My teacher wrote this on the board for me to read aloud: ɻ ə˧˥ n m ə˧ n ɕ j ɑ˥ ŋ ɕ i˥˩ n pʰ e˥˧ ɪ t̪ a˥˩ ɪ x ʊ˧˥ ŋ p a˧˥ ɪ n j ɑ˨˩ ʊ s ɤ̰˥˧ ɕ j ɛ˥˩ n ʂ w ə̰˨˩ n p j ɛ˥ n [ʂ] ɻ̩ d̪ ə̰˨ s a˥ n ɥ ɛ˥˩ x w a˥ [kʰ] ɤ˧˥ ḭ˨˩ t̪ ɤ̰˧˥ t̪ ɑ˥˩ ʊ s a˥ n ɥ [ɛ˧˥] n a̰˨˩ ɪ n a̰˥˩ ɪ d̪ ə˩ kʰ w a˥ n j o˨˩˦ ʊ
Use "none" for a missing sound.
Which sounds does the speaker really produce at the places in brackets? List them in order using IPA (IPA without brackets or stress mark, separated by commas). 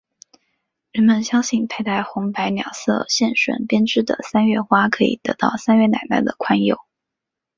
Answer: ʈ͡ʂ, kʰ, ɛ˥˩